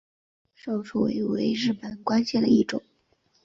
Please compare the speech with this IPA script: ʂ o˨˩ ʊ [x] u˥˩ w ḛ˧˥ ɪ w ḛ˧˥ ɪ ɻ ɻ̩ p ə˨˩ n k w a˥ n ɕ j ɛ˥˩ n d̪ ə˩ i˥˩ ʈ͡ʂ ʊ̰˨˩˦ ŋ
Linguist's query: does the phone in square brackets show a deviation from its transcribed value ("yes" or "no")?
yes